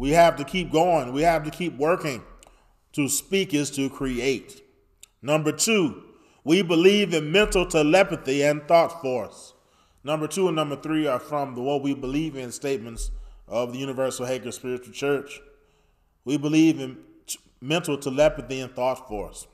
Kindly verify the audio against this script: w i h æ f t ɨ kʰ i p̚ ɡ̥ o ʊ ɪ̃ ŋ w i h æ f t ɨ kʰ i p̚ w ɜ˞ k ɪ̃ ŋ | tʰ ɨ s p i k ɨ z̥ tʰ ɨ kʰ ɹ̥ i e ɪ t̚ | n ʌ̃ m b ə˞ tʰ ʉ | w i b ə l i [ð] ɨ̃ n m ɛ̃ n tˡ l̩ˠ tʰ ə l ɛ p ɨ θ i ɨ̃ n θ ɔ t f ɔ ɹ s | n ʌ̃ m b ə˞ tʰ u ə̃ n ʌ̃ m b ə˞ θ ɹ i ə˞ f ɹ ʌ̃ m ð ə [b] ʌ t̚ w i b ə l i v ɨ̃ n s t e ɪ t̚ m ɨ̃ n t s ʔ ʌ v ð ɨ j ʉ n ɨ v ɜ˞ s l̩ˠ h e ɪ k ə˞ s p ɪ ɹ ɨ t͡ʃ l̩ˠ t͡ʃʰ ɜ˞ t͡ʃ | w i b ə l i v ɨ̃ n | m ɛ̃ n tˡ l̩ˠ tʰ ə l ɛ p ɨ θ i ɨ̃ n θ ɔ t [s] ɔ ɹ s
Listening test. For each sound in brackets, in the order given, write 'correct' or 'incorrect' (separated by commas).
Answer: incorrect, incorrect, incorrect